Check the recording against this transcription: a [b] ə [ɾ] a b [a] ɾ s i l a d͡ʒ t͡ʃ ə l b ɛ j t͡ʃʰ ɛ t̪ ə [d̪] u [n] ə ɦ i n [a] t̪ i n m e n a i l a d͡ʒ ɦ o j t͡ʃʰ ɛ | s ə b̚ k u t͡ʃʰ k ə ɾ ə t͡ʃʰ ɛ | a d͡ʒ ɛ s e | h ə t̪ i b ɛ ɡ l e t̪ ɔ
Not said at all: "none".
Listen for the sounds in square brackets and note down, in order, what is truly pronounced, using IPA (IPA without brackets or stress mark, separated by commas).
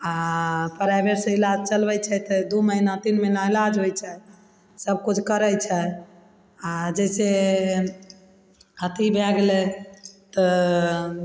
p, ɾ, e, d̪, m, a